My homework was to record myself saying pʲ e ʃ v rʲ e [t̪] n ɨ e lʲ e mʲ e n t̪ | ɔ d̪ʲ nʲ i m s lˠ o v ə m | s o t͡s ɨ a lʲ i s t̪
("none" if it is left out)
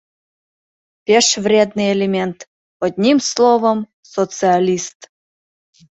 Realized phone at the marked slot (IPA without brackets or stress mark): d̪